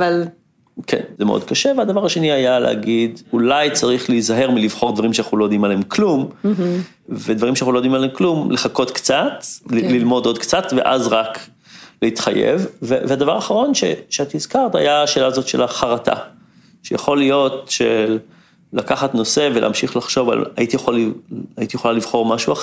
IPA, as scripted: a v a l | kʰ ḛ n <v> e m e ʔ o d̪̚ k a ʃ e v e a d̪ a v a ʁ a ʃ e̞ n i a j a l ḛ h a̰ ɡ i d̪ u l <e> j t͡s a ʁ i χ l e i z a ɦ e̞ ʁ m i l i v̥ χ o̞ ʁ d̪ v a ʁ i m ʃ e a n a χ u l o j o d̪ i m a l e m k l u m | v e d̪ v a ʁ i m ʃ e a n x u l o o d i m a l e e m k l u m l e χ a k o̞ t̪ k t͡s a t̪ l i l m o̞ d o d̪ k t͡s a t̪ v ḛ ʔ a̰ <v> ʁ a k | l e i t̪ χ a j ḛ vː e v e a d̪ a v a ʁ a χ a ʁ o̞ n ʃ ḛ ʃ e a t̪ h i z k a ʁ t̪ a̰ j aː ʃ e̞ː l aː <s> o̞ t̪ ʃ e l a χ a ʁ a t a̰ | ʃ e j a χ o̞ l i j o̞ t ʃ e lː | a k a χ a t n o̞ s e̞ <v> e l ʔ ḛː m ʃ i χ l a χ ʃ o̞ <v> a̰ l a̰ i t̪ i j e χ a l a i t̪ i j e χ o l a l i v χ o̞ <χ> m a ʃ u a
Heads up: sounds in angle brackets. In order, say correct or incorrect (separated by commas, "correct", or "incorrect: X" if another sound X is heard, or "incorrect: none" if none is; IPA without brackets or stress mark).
incorrect: z, incorrect: a, incorrect: z, incorrect: z, correct, correct, incorrect: ʁ